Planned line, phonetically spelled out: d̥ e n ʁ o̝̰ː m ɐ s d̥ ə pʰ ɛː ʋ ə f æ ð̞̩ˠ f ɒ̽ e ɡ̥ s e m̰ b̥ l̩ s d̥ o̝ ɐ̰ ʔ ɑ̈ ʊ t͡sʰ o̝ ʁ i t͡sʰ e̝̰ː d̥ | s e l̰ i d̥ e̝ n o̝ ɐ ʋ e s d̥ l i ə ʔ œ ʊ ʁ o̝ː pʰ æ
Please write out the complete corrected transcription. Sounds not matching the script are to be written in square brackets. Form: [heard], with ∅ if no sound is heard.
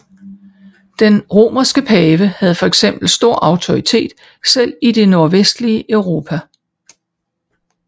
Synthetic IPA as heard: d̥ e n ʁ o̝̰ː m ɐ s [ɡ̥] ə pʰ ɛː ʋ ə [h] æ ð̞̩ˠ f ɒ̽ e ɡ̥ s e m̰ b̥ l̩ s d̥ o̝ ɐ̰ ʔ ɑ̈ ʊ t͡sʰ o̝ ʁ i t͡sʰ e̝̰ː d̥ | s e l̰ i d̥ e̝ n o̝ ɐ ʋ e s d̥ l i ə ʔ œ ʊ ʁ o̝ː pʰ æ